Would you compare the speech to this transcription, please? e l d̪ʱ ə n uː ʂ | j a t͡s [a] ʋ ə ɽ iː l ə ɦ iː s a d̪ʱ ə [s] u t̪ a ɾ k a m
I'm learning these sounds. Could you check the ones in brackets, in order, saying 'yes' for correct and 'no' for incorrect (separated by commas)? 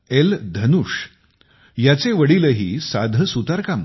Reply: no, yes